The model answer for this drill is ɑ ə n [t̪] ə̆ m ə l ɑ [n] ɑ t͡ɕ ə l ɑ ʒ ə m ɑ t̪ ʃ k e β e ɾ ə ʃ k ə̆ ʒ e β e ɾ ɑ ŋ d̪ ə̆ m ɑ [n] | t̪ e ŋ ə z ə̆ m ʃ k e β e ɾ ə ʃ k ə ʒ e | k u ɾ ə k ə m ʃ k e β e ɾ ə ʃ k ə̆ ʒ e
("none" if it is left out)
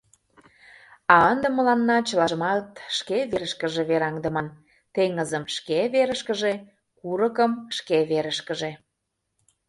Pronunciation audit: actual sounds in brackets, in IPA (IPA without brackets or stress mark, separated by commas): d̪, nː, n